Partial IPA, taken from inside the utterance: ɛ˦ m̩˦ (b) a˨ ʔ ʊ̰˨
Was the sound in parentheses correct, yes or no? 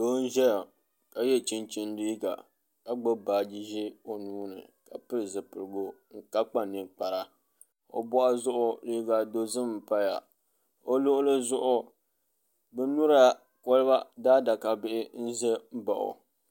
yes